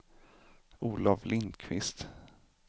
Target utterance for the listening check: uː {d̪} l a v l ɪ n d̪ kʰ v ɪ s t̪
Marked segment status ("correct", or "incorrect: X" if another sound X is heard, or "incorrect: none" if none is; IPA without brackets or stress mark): incorrect: none